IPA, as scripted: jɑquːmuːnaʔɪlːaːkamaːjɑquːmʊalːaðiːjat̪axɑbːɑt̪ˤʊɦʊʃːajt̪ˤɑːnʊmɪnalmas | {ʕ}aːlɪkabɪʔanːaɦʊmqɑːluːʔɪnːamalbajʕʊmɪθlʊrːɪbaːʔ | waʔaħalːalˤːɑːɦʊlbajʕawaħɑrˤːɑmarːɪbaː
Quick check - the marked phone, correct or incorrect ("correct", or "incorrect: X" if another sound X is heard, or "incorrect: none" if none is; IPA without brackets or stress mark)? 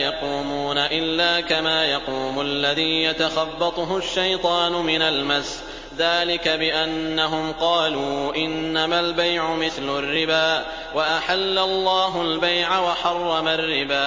incorrect: ð